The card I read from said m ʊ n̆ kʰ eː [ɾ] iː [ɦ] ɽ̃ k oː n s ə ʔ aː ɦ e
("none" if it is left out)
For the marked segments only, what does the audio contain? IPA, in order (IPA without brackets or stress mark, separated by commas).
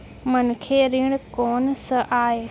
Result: ɾ, none